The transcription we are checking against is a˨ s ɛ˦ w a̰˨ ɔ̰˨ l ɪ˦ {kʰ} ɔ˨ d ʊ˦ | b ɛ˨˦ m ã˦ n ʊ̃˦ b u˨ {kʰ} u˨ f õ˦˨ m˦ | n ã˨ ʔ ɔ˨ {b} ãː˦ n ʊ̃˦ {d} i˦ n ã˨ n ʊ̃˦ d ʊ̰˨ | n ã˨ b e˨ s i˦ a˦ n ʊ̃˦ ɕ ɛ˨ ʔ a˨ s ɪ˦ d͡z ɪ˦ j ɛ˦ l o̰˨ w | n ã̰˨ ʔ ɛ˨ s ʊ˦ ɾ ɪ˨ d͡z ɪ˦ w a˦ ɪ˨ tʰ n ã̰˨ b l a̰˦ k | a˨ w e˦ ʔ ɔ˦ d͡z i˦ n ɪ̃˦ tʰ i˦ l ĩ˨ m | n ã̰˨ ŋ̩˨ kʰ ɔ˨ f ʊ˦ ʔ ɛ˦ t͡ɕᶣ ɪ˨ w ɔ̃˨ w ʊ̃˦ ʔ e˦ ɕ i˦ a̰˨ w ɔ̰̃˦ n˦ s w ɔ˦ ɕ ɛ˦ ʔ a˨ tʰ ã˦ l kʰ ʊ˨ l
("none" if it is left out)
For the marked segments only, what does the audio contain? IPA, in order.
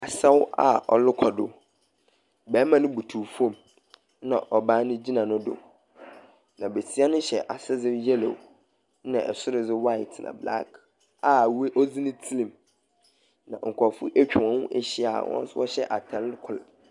kʰ, tʰ, b, d͡ʑ

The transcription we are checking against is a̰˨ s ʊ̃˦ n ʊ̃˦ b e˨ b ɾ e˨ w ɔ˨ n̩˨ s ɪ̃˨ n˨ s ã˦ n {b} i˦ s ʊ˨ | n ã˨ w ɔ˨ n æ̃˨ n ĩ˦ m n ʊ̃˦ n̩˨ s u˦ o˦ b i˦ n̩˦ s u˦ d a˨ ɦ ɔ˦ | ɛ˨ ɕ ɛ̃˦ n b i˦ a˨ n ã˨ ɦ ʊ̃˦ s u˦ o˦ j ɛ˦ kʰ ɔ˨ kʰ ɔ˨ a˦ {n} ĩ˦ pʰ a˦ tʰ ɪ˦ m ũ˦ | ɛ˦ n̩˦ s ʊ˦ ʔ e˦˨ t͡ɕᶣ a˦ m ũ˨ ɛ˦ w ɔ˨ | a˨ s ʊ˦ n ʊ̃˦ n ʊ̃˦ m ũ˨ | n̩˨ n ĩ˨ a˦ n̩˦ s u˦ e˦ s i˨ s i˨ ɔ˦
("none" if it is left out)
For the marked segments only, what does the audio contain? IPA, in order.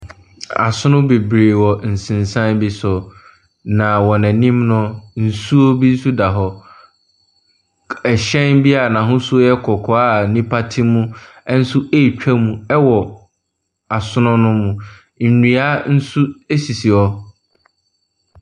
b, n

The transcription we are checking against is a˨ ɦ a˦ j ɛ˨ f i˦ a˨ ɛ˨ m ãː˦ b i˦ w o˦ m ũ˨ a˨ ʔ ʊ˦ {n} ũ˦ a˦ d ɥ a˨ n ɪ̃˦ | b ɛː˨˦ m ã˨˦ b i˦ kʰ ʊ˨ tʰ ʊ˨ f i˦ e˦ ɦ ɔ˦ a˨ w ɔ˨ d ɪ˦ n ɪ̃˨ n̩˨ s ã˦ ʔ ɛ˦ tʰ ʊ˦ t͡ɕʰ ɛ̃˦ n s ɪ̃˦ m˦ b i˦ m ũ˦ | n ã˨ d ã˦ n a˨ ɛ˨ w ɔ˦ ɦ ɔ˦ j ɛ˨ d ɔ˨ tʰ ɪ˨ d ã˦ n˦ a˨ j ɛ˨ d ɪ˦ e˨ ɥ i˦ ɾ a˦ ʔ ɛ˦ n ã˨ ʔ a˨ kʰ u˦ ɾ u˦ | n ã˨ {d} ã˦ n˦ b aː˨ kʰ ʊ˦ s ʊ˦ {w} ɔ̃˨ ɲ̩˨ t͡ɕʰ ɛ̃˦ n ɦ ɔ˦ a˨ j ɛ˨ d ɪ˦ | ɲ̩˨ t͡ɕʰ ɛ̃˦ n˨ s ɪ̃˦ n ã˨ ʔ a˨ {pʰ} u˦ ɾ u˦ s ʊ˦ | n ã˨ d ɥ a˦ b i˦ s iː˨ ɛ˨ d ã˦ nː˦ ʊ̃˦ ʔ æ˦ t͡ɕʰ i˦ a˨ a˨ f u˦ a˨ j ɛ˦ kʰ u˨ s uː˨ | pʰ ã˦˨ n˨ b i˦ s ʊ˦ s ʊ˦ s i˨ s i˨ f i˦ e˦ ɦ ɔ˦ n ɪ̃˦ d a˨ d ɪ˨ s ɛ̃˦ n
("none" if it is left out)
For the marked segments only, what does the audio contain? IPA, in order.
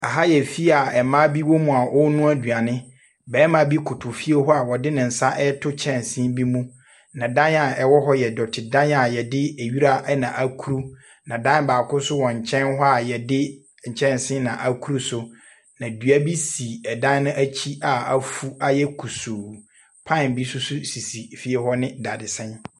n, d, w, kʰ

